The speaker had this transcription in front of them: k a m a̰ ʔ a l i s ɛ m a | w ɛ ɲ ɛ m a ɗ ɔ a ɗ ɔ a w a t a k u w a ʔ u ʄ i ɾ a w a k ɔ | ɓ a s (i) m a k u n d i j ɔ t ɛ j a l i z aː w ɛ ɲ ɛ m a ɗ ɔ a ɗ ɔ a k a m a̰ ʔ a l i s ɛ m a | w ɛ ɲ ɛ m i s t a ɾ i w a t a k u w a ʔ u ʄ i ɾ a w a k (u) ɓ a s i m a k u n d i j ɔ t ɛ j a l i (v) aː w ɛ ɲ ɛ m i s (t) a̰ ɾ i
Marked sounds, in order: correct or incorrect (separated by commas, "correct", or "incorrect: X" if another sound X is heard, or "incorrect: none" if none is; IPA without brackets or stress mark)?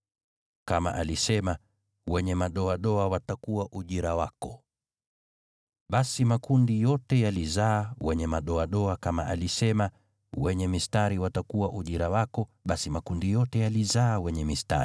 correct, incorrect: ɔ, incorrect: z, correct